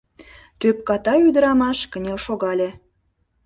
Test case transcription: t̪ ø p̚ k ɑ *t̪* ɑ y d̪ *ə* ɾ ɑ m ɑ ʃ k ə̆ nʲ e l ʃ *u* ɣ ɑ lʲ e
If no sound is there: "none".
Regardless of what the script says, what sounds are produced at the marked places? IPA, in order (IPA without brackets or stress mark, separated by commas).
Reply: t̪, ə, o